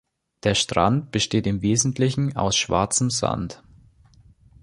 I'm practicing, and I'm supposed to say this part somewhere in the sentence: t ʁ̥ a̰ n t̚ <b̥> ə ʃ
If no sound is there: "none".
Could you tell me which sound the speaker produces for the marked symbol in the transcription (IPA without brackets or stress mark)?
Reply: b̥